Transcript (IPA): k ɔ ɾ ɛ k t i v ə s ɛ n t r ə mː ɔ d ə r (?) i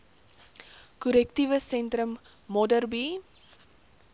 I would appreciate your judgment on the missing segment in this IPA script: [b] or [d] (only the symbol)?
b